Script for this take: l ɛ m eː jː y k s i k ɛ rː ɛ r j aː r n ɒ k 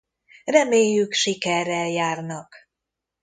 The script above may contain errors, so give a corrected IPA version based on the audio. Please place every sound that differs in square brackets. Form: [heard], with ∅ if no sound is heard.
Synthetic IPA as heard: [r] ɛ m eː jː y k [ʃ] i k ɛ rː ɛ [l] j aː r n ɒ k